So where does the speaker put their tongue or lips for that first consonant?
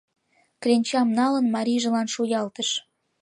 velum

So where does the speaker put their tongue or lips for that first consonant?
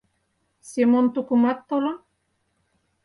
tongue tip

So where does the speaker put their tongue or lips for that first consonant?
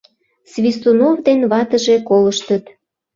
tongue tip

